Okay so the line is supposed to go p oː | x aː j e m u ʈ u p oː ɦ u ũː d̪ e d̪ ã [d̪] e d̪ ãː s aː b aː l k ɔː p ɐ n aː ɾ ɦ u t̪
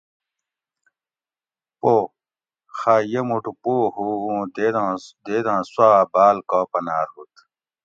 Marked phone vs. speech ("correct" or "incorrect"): correct